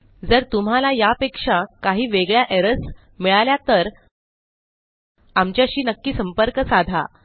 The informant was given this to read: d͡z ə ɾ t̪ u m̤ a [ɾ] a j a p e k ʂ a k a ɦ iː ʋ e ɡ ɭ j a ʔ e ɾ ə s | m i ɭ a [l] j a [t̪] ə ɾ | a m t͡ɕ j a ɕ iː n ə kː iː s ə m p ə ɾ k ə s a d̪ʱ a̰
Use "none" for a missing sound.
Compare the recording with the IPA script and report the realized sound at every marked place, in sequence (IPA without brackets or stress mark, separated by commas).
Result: l, l, t̪